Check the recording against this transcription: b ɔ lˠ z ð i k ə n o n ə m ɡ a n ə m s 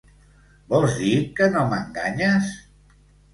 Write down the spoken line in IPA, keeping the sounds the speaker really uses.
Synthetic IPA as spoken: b ɔ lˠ z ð i k ə n o m ə ŋ ɡ a ɲ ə s